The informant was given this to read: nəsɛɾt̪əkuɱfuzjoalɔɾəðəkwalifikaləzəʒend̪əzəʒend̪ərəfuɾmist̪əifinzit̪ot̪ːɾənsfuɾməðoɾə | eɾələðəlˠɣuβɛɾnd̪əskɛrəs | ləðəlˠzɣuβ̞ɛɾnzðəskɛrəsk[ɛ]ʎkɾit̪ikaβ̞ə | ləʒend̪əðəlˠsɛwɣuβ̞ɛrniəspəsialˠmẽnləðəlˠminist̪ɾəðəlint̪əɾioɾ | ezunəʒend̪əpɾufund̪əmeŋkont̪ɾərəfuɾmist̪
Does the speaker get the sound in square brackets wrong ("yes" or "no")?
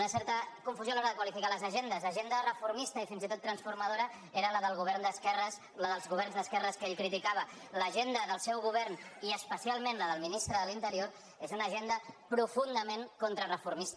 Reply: yes